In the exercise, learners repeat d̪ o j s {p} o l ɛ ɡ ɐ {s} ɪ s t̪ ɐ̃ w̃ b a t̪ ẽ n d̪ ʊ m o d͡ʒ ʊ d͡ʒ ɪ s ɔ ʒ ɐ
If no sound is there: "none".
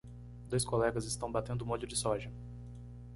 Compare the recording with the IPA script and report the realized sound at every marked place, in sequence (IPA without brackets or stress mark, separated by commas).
k, z